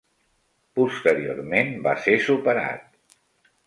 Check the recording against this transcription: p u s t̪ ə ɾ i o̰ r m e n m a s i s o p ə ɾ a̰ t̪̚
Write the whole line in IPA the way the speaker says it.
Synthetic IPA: p u s t̪ ə ɾ i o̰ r m e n b a s e s u p ə ɾ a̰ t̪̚